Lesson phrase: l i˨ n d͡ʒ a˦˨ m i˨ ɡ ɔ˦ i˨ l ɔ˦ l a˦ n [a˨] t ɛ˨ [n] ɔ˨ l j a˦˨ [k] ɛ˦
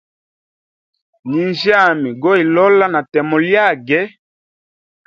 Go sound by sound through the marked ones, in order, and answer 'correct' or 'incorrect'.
correct, incorrect, incorrect

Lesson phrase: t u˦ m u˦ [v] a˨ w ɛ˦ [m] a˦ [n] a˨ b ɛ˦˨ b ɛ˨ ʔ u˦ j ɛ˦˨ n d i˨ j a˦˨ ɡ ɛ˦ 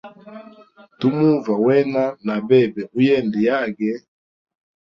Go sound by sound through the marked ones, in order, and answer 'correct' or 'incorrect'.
correct, incorrect, correct

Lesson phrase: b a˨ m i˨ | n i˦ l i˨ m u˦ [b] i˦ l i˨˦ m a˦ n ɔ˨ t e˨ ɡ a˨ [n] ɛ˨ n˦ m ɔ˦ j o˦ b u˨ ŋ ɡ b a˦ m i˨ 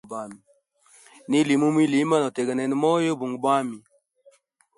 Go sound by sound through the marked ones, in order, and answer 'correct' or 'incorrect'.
incorrect, correct

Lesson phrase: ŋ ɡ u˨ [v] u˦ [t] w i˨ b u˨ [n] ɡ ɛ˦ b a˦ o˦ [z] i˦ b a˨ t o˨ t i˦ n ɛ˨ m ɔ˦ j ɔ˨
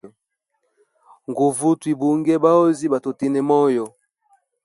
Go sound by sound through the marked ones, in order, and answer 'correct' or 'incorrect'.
correct, correct, incorrect, correct

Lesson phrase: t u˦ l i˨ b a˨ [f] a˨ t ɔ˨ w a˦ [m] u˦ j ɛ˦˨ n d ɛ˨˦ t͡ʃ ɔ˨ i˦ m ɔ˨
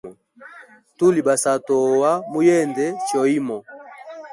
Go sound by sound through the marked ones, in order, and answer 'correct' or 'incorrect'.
incorrect, correct

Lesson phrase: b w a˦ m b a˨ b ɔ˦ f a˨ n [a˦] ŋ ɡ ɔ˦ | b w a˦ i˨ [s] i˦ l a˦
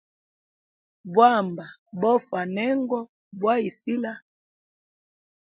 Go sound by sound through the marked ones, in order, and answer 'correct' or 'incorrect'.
incorrect, correct

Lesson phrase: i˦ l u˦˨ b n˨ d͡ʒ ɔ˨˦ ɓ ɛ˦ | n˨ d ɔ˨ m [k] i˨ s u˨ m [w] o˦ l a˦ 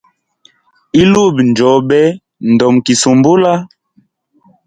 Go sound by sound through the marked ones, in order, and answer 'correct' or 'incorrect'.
correct, incorrect

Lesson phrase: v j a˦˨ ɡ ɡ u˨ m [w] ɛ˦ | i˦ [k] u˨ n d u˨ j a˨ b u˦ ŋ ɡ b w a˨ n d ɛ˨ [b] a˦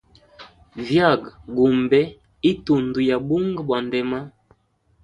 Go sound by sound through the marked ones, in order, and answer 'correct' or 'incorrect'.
incorrect, incorrect, incorrect

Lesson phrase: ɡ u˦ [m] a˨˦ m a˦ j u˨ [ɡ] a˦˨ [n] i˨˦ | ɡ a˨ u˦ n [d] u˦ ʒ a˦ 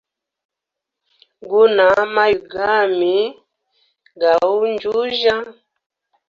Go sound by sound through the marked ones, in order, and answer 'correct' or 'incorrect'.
incorrect, correct, incorrect, incorrect

